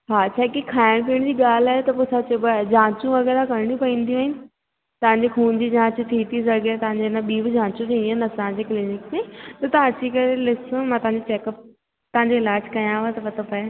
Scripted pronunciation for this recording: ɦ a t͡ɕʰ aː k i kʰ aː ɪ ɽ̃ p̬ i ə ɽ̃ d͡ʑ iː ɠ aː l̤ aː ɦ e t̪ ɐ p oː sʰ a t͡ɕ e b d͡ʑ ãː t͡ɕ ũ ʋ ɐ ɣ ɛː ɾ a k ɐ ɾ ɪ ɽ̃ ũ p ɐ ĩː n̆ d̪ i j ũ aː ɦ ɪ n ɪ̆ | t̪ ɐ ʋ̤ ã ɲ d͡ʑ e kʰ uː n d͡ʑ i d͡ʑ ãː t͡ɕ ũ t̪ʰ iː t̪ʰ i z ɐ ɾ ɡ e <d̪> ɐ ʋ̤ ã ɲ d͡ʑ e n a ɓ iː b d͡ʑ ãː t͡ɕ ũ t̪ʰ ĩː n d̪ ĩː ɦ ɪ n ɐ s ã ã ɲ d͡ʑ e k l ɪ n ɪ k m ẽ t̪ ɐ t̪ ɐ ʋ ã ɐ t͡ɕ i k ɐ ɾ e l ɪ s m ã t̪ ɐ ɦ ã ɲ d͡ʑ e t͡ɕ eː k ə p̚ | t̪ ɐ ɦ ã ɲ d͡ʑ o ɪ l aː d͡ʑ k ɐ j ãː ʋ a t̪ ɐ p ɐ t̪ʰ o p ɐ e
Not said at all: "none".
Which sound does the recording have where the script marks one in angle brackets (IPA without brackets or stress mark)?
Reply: t̪